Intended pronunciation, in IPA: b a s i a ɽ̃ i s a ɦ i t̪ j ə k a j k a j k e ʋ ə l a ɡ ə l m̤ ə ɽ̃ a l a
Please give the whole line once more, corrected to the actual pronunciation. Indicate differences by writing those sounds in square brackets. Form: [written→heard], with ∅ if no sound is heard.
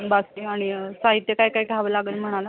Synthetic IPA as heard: b a s i a ɽ̃ i s a ɦ i t̪ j ə k a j k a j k [e→a] ʋ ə l a ɡ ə l m̤ ə ɽ̃ a l a